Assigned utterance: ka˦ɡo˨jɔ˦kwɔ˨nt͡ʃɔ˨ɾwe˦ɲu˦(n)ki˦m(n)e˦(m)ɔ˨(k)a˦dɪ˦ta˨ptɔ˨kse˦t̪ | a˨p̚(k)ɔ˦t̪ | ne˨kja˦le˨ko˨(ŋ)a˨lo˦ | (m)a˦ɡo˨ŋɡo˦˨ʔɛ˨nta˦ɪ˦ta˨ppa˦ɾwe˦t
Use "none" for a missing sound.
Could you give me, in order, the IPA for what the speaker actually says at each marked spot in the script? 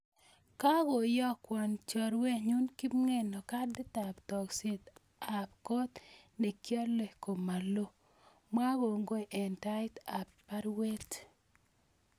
n, ŋ, n, k, k, m, m

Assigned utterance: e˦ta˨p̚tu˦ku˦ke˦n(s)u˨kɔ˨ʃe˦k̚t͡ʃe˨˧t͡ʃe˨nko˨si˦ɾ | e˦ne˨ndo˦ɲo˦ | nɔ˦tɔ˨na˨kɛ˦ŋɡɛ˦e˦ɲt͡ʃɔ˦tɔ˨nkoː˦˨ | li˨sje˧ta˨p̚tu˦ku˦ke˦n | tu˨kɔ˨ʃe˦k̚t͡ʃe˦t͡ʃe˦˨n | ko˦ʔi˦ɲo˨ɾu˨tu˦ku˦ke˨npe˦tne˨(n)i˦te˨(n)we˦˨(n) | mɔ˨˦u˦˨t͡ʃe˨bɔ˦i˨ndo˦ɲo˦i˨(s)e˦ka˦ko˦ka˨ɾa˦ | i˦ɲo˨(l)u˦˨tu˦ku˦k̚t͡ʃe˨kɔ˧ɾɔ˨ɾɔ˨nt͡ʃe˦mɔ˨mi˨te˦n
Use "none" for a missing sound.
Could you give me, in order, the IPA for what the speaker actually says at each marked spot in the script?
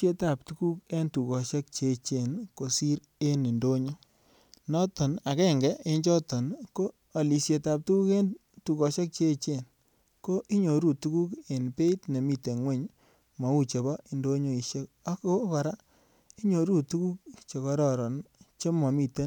t, m, ŋ, ɲ, ʃ, ɾ

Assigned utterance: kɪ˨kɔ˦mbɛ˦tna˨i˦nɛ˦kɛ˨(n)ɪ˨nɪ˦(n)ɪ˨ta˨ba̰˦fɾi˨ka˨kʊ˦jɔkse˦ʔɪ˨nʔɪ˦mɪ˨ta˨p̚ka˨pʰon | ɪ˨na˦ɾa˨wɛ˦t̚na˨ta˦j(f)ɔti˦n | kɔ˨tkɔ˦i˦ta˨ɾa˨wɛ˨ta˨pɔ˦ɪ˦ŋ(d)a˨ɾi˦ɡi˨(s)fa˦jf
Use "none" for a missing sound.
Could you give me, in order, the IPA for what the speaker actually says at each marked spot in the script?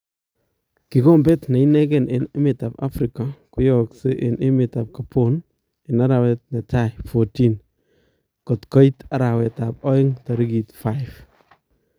n, m, f, t, t

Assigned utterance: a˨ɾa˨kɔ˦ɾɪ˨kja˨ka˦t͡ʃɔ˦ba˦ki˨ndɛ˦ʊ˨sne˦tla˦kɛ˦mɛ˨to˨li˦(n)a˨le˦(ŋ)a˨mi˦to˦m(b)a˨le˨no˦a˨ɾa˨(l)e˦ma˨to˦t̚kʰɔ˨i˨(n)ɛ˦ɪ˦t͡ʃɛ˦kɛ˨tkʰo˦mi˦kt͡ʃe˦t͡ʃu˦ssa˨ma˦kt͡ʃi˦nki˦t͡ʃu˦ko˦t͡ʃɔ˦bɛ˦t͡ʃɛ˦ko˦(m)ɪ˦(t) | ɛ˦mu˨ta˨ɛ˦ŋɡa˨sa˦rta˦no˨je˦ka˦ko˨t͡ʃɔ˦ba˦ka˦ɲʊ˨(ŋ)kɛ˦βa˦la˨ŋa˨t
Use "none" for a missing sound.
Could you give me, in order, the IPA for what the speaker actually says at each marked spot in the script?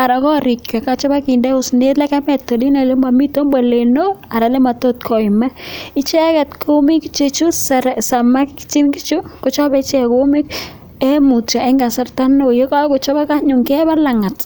n, m, b, l, m, m, k, ŋ

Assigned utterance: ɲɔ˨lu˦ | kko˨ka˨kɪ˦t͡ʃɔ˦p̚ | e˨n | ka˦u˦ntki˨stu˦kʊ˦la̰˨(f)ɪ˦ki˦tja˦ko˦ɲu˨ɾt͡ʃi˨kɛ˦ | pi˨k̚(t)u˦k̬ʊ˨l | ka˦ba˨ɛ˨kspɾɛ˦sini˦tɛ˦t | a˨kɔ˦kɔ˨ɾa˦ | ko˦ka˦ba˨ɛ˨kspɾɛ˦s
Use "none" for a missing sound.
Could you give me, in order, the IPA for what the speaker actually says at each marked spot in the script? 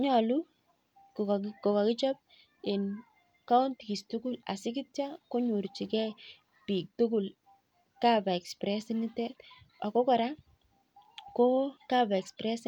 s, t

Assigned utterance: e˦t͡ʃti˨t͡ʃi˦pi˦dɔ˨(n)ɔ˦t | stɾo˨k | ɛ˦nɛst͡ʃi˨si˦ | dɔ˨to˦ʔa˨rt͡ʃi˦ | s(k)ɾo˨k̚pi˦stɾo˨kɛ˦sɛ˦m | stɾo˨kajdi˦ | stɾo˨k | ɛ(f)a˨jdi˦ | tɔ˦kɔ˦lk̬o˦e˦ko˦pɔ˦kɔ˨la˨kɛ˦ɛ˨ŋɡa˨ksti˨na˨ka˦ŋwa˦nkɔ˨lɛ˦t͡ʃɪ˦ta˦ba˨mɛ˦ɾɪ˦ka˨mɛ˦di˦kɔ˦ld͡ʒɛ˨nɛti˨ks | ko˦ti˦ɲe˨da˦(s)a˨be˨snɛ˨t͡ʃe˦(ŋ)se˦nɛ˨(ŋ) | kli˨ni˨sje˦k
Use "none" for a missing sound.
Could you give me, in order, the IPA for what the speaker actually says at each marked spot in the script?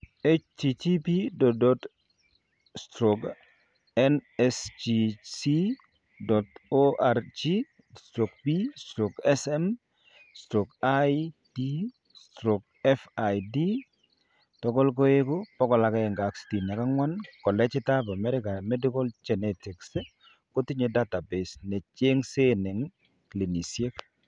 d, t, f, t, ŋ, ŋ

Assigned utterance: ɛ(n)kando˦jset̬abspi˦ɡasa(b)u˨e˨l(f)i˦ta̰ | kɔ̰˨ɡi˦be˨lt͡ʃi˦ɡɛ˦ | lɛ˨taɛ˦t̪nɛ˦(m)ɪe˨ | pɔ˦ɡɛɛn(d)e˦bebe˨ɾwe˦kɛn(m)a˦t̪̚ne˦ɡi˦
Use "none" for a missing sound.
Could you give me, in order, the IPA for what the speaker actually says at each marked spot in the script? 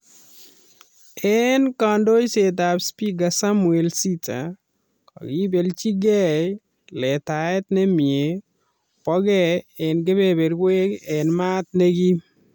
n, m, s, m, ɡ, m

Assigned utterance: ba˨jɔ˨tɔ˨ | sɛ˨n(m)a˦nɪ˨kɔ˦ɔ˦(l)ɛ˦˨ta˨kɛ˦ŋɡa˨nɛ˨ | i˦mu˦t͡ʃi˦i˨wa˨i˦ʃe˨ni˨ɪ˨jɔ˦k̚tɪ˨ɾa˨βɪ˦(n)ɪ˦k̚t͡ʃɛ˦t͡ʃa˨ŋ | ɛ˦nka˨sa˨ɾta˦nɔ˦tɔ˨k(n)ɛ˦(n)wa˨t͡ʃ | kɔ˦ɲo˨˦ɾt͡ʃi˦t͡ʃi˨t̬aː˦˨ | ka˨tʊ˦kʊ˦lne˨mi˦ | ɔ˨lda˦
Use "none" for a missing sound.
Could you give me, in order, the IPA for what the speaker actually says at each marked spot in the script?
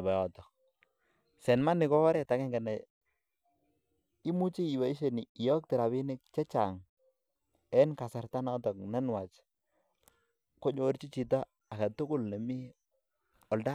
m, ɾ, n, n, n

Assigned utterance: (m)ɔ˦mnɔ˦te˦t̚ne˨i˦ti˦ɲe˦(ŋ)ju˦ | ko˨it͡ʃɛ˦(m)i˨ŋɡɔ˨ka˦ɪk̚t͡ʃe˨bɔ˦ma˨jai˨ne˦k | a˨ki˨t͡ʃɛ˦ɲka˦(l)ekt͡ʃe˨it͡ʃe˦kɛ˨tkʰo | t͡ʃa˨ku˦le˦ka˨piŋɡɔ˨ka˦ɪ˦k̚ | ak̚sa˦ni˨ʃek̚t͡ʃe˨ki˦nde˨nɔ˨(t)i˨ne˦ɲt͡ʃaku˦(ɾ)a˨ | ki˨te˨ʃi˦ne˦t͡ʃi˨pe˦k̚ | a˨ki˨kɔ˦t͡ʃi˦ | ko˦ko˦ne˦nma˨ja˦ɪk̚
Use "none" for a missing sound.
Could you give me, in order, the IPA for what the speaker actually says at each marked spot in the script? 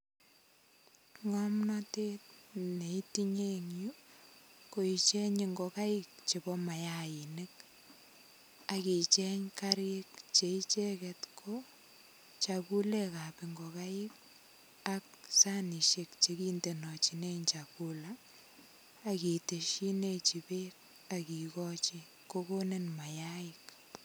ŋ, ŋ, ɲ, ɾ, t͡ʃ, l

